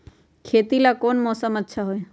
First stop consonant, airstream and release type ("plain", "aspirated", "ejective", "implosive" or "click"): aspirated